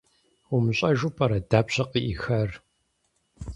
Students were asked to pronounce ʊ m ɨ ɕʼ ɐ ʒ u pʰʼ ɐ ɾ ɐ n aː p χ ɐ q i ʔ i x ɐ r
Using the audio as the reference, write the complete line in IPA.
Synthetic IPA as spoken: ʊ m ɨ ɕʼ ɐ ʒ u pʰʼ ɐ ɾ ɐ d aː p ɕ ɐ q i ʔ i x ɐ r